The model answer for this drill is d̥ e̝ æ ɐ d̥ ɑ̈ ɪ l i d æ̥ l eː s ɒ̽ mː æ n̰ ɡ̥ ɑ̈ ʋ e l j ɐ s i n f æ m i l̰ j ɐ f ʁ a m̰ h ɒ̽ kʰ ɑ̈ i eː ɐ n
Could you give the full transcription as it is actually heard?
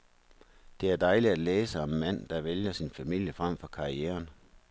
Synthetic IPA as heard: d̥ e̝ æ ɐ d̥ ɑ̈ ɪ l i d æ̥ l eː s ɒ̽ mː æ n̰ d̥ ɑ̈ ʋ e l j ɐ s i n f æ m i l̰ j ə f ʁ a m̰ f ɒ̽ kʰ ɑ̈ i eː ɐ n